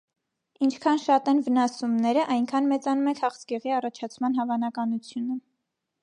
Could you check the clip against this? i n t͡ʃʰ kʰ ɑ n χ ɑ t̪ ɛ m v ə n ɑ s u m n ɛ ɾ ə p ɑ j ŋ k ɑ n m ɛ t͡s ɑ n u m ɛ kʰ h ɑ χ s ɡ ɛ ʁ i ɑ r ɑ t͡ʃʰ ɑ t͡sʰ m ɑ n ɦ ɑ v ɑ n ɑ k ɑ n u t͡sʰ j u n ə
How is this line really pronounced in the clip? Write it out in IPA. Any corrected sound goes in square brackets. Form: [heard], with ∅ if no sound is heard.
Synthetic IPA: i n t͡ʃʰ kʰ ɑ n [ʃ] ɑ t̪ ɛ [n] v ə n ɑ s u m n ɛ ɾ ə [ʔ] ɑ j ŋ [kʰ] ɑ n m ɛ t͡s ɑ n u m ɛ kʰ h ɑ χ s ɡ ɛ ʁ i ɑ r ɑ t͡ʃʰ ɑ t͡sʰ m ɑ n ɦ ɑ v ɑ n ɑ k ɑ n u t͡sʰ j u n ə